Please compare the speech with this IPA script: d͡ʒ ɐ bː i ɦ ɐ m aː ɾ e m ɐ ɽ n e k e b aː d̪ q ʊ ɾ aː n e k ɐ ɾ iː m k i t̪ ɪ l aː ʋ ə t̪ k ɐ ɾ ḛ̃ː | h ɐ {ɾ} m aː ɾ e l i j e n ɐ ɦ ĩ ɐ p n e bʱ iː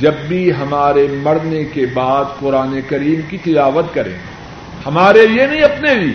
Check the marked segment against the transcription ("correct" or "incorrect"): incorrect